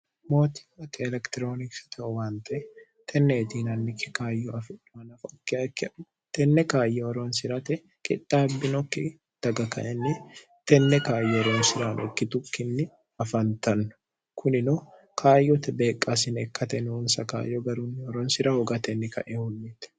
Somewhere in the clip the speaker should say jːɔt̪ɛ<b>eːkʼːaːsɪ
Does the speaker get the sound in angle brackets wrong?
no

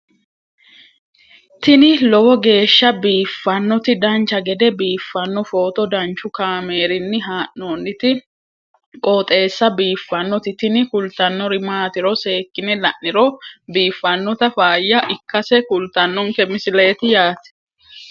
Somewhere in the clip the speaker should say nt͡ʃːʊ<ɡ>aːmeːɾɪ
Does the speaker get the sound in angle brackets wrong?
yes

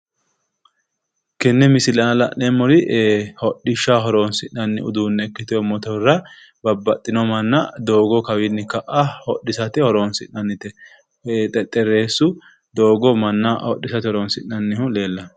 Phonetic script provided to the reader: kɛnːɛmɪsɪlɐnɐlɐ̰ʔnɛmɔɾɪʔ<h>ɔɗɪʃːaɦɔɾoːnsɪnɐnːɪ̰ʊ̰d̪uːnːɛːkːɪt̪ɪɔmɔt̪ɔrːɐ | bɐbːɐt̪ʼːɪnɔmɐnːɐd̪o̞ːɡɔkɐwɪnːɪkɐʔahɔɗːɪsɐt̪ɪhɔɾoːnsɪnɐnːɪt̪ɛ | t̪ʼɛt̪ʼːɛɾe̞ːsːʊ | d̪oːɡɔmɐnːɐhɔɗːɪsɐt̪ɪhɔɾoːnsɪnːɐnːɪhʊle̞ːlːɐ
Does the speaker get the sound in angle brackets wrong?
no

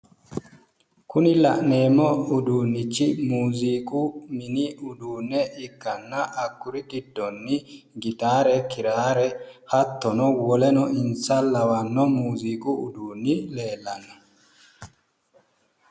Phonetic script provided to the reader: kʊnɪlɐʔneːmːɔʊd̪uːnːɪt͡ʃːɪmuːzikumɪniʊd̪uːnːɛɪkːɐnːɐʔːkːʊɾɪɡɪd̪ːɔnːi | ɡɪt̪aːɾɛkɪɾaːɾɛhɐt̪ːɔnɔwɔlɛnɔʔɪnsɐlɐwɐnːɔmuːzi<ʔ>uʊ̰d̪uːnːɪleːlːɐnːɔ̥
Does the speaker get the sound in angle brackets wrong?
yes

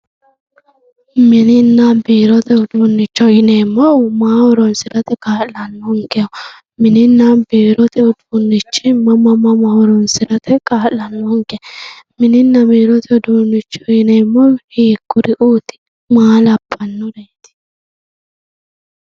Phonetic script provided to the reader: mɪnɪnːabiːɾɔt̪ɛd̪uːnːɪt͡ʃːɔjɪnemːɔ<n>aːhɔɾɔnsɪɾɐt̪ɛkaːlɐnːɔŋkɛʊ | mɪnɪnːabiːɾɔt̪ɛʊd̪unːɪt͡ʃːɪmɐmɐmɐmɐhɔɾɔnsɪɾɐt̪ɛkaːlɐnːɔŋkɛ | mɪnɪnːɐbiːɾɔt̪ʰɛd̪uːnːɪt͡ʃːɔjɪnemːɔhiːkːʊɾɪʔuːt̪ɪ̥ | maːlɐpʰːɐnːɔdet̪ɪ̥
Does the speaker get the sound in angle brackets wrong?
yes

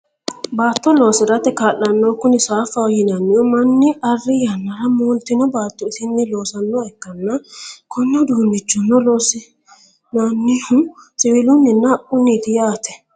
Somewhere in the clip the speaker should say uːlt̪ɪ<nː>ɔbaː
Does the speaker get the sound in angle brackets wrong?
yes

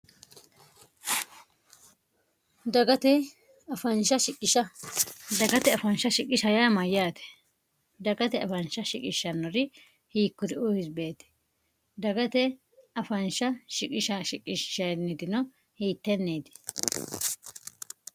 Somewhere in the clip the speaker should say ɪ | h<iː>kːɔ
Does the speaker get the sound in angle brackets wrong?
no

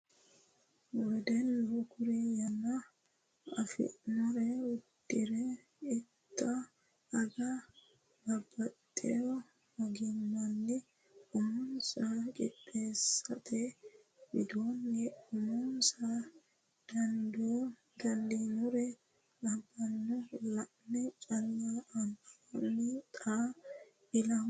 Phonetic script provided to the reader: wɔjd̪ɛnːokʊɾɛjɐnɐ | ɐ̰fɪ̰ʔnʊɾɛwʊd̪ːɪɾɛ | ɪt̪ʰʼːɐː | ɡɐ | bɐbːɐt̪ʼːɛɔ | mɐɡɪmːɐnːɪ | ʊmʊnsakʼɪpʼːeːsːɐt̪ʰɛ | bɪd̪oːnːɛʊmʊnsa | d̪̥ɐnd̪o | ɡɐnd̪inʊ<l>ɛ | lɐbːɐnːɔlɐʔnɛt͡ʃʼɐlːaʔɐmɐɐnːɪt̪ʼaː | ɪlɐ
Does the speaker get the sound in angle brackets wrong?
yes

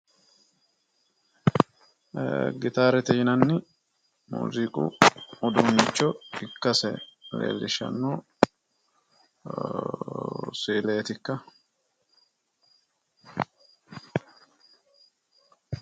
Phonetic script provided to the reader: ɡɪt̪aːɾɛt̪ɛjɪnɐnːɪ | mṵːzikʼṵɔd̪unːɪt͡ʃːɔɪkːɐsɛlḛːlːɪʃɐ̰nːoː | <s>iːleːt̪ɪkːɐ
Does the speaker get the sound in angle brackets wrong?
no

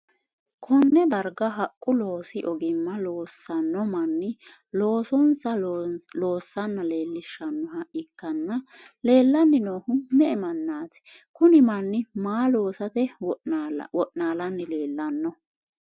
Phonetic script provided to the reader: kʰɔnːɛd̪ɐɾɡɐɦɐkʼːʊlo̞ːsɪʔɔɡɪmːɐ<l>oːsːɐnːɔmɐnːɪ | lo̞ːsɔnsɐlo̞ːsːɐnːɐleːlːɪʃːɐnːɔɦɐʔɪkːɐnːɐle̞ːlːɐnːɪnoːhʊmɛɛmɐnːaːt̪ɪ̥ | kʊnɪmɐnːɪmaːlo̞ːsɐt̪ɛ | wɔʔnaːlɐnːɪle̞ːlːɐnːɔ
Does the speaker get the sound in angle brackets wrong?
no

